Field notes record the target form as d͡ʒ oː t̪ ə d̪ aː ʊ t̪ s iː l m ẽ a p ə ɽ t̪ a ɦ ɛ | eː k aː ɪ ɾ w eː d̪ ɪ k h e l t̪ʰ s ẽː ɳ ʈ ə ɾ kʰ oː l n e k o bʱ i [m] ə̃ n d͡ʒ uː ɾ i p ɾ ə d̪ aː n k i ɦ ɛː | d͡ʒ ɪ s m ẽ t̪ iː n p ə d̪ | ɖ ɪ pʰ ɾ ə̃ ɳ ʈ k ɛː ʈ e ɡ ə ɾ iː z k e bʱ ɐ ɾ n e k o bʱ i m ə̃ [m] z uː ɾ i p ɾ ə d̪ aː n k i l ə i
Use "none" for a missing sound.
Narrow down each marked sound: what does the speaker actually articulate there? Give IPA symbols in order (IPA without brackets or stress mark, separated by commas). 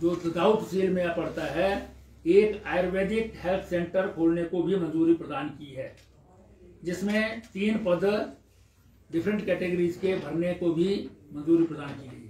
m, n